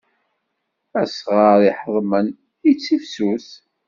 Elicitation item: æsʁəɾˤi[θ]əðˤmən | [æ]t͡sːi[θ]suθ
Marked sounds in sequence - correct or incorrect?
incorrect: ħ, incorrect: i, incorrect: f

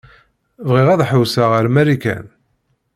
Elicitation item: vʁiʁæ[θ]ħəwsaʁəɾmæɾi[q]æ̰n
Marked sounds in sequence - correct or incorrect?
incorrect: ð, incorrect: k

